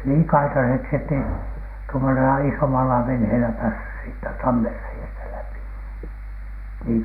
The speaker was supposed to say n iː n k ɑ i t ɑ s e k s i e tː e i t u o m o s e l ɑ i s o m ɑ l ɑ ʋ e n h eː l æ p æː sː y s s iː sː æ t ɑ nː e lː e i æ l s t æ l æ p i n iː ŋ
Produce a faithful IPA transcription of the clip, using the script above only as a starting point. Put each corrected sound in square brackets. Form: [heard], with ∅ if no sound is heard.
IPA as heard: n iː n k ɑ i t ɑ s e k s i e tː e i t u o m o s e l ɑ i s o m ɑ l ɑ ʋ e n h eː l æ p æː sː y s s iː [tː] æ t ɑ [mː] e [rː] e i æ [∅] s t æ l æ p i n iː ŋ